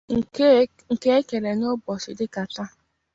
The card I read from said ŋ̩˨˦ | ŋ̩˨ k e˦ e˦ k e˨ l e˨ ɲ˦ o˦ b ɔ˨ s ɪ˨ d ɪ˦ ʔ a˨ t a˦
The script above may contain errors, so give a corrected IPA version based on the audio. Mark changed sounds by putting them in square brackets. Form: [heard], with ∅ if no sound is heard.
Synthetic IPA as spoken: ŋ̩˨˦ | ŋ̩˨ k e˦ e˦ k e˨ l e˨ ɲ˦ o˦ b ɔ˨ s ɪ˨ d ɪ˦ [k] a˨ t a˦